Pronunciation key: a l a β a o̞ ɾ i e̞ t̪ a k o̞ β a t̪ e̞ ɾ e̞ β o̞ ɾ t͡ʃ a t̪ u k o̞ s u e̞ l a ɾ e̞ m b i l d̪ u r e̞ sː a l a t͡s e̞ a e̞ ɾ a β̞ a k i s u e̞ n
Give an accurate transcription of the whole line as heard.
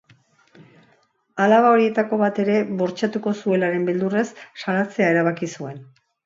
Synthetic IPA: a l a β a o̞ ɾ i e̞ t̪ a k o̞ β a t̪ e̞ ɾ e̞ β o̞ ɾ t͡ʃ a t̪ u k o̞ s u e̞ l a ɾ e̞ m b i l d̪ u r e̞ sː a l a t͡s e̞ a e̞ ɾ a β̞ a k i s u e̞ n